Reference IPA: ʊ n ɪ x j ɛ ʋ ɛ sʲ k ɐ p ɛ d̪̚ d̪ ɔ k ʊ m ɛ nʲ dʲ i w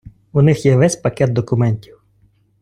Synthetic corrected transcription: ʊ n ɪ x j ɛ ʋ ɛ sʲ p ɐ k ɛ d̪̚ d̪ ɔ k ʊ m ɛ nʲ tʲ i w